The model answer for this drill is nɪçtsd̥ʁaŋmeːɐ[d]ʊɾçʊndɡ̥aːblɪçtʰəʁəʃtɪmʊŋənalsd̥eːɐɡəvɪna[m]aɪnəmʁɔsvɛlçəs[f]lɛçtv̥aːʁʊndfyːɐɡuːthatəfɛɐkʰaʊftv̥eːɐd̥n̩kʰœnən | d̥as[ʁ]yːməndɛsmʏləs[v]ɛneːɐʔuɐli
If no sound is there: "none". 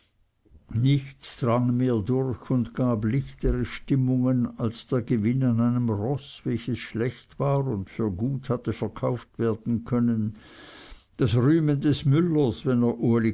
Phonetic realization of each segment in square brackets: d, n, ʃ, ʁ, v

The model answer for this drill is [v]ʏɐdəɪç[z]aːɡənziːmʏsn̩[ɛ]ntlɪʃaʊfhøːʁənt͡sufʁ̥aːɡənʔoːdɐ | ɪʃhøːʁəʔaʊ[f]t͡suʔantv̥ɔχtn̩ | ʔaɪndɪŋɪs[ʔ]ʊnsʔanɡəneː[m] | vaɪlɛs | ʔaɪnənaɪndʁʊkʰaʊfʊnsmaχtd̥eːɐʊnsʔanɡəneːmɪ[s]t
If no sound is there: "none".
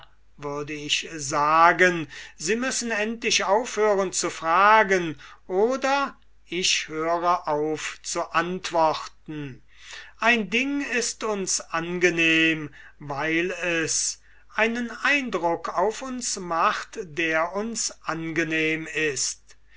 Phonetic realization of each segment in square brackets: v, z, ɛ, f, t, m, s

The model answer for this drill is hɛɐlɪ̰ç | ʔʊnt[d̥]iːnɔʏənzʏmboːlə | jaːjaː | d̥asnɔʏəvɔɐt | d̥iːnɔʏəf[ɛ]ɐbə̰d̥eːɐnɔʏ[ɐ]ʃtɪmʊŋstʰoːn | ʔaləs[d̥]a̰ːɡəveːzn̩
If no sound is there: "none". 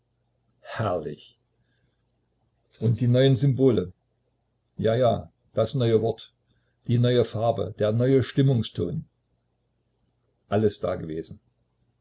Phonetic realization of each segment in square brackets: d̥, a, ə, d̥

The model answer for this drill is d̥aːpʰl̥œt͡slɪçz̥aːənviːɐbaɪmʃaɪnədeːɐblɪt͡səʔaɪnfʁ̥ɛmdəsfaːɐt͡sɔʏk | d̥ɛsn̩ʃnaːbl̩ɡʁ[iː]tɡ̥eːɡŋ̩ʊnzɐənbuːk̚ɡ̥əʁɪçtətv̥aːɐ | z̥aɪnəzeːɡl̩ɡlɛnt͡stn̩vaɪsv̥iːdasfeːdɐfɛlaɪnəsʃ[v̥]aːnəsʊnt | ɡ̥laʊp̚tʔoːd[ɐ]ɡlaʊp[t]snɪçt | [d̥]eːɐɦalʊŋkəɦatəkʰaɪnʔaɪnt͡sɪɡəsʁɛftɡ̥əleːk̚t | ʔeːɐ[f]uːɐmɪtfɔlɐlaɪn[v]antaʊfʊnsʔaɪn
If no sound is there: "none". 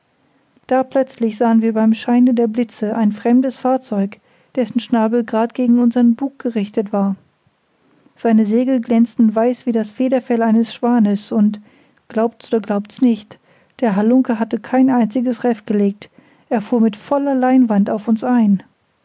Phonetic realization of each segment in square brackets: aː, v̥, ɐ, t, d̥, f, v

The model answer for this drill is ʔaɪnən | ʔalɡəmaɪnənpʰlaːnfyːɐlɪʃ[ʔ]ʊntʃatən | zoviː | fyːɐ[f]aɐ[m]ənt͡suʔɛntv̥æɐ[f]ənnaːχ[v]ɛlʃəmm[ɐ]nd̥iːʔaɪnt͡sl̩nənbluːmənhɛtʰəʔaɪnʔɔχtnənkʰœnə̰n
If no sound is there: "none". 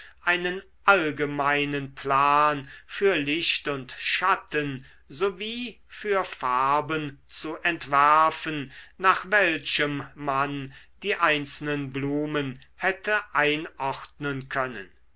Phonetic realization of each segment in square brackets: t, f, b, f, v, a

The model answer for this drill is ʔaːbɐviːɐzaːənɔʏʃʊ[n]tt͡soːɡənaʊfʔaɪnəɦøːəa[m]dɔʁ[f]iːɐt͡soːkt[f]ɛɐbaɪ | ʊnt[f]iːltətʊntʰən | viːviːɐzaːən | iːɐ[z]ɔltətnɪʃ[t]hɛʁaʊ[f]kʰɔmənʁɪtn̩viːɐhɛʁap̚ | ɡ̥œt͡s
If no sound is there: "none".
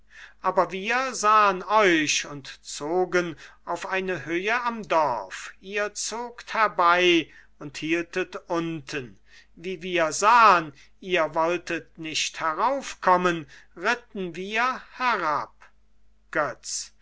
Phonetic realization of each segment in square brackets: n, m, f, h, h, v, t, f

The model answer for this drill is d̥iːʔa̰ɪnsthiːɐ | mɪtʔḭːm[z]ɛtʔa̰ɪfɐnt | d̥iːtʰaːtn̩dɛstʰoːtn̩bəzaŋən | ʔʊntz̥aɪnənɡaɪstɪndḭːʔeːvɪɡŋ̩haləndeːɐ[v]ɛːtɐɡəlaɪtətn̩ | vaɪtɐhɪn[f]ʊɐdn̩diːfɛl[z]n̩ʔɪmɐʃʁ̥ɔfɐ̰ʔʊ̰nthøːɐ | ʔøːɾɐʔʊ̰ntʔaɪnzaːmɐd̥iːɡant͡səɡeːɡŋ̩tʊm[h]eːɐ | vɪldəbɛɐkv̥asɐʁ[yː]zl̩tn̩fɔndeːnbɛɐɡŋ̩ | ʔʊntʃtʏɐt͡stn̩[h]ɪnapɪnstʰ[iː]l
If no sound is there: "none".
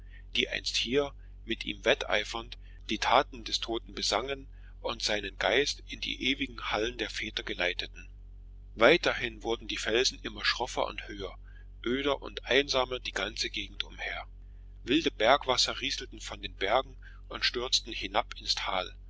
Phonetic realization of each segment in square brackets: v, f, v, z, h, iː, h, aː

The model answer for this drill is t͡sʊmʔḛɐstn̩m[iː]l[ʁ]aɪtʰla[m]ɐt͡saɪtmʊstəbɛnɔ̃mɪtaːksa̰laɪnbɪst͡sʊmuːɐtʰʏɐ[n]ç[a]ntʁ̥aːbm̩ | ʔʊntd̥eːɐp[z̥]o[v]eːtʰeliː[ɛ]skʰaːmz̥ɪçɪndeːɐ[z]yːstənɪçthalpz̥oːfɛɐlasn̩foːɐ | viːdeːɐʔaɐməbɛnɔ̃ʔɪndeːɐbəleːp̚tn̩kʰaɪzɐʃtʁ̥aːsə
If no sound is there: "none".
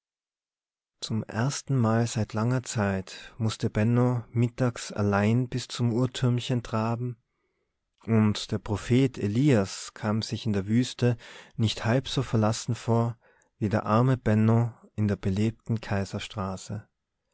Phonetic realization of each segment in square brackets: aː, z, ŋ, m, ə, ʁ̥, f, a, v

